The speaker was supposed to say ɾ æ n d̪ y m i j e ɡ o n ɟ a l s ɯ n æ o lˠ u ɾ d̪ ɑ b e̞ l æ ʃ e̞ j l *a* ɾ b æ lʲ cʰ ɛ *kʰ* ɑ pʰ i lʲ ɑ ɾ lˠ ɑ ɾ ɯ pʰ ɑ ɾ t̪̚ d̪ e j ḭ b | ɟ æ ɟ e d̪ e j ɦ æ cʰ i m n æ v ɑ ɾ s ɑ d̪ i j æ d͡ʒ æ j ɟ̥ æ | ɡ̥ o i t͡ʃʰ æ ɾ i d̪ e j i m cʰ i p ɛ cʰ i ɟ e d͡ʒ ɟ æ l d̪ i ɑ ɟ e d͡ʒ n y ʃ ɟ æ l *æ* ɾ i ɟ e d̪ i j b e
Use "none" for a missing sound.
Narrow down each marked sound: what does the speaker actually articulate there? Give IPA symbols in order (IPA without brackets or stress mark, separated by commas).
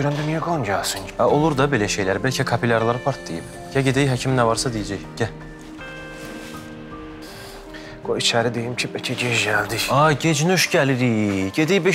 æ, kʰ, i